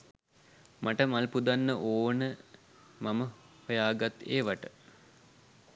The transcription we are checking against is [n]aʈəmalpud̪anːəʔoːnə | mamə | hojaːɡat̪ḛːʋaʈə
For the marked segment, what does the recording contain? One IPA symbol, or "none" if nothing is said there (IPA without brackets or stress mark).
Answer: m